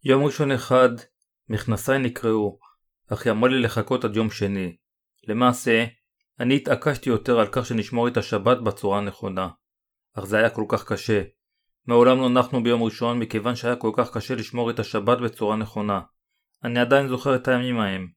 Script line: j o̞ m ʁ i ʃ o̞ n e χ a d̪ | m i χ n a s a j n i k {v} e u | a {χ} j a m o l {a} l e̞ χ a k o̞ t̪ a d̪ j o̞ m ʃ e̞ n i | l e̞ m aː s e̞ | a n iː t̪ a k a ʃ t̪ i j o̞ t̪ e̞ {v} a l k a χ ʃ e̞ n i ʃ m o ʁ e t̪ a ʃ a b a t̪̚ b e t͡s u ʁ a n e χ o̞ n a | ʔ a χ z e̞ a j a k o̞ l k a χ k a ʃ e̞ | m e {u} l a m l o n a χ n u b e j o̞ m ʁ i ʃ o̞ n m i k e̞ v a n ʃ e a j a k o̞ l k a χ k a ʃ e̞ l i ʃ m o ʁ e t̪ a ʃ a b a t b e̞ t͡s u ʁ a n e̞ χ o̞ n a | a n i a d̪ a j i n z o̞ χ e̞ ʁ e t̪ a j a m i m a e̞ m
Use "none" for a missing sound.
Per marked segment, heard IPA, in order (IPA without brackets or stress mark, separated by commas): ʁ, χ, i, ʁ, o